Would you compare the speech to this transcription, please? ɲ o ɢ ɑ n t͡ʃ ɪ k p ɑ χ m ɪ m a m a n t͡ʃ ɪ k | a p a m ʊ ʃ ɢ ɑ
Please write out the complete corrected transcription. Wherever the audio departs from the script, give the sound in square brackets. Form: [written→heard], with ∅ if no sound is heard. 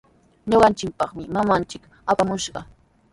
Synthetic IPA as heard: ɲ o ɢ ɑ n t͡ʃ ɪ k p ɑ χ m ɪ m a m a n t͡ʃ ɪ k | a p a m ʊ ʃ ɢ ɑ

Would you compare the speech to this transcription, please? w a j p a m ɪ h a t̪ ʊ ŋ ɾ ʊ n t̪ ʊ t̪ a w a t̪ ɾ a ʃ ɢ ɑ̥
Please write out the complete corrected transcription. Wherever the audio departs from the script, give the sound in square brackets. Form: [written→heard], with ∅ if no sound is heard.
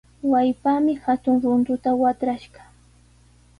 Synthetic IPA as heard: w a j p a m ɪ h a t̪ ʊ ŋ ɾ ʊ n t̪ ʊ t̪ a w a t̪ ɾ a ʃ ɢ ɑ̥

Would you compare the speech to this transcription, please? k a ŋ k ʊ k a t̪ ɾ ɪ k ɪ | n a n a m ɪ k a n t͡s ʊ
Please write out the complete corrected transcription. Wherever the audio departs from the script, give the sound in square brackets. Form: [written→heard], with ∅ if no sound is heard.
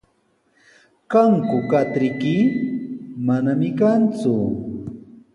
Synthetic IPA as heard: k a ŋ k ʊ k a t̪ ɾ ɪ k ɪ | [n→m] a n a m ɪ k a n t͡s ʊ

